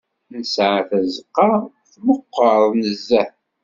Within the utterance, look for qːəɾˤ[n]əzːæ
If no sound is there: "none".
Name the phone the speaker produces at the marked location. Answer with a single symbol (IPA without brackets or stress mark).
n